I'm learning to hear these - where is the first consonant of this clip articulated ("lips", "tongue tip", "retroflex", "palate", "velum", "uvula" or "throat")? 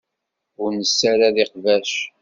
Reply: tongue tip